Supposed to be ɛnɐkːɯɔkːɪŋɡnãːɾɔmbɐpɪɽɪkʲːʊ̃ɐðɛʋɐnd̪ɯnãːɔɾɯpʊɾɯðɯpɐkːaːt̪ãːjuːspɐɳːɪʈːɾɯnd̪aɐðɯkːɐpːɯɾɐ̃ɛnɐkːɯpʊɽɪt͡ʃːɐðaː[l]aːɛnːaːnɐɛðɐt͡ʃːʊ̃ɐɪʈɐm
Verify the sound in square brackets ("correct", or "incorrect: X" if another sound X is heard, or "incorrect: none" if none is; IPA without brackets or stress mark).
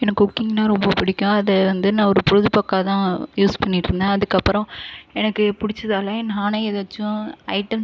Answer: correct